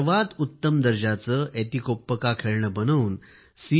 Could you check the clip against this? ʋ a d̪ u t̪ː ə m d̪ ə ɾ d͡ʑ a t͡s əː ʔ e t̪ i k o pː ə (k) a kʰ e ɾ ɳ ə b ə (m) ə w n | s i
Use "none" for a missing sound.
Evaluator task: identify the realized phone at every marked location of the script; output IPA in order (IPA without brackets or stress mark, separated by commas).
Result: k, n